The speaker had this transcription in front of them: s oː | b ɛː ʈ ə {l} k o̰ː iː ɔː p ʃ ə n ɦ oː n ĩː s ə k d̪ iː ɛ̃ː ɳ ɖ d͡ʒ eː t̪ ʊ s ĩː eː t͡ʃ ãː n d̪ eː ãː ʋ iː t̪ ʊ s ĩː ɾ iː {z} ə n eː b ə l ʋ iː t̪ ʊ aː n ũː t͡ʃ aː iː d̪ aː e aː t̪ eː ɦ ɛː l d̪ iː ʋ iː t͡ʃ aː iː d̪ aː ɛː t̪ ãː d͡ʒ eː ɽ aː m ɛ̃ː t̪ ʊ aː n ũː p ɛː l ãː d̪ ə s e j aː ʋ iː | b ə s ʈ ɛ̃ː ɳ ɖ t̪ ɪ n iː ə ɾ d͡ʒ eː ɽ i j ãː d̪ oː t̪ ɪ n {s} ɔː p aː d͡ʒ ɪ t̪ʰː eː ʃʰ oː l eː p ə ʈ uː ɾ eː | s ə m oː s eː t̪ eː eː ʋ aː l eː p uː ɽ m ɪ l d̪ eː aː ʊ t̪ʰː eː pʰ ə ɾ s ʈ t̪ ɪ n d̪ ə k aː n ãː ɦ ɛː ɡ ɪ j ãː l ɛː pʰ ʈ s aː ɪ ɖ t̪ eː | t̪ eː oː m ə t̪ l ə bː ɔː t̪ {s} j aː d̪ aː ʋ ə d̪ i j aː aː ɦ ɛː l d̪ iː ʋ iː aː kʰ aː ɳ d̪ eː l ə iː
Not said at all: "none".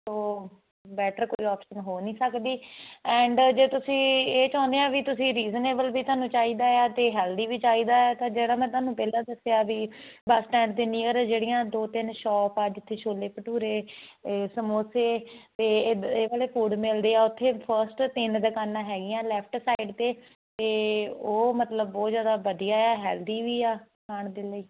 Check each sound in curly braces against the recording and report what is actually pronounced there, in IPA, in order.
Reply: ɾ, z, ʃ, z

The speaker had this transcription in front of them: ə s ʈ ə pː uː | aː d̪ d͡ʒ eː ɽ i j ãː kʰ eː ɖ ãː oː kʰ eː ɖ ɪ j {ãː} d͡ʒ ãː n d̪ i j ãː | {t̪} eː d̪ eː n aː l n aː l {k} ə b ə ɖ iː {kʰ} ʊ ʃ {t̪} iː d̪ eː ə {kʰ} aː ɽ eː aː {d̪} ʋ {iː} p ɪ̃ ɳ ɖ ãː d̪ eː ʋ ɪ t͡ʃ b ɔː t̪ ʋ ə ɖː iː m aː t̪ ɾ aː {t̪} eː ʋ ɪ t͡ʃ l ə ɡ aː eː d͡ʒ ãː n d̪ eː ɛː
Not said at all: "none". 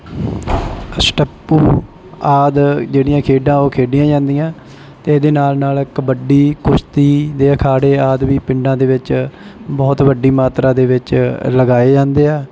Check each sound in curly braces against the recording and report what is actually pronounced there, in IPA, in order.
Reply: ãː, t̪, k, k, t̪, kʰ, d̪, iː, d̪

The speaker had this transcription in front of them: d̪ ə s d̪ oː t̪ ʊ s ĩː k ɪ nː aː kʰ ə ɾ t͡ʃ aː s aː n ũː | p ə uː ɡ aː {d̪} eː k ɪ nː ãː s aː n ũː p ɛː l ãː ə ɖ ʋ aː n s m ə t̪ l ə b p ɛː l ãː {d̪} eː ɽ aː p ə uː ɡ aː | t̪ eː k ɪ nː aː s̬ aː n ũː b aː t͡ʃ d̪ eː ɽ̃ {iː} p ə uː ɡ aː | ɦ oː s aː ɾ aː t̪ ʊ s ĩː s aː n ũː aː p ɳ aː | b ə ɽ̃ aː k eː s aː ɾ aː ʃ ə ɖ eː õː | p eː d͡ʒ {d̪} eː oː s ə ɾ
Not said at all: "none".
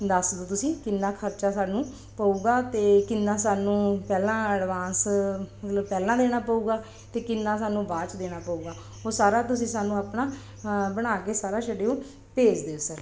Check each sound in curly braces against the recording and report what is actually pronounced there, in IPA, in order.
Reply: t̪, d̪, aː, d̪

